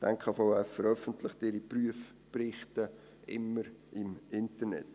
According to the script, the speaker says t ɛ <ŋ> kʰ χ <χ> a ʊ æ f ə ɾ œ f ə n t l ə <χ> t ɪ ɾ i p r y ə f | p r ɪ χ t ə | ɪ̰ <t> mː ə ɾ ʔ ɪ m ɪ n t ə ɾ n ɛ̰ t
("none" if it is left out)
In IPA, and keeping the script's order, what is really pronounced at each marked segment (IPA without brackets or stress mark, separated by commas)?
ŋ, f, χ, none